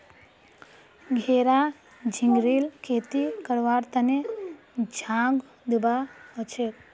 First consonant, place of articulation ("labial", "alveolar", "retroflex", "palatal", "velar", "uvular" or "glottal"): velar